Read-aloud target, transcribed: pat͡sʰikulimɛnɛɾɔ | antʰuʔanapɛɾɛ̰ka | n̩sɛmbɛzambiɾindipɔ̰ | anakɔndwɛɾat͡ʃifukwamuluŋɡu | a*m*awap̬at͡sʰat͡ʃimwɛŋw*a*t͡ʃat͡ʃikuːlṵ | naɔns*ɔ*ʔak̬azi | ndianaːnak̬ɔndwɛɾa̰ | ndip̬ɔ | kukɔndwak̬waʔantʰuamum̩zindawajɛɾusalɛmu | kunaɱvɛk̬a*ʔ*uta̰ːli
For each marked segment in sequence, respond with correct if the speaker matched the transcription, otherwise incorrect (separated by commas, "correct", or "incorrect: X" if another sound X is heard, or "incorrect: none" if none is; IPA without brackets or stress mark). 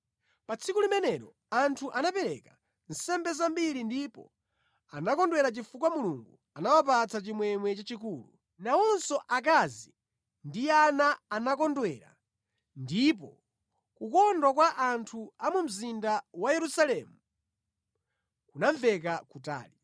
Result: incorrect: n, incorrect: ɛ, correct, incorrect: k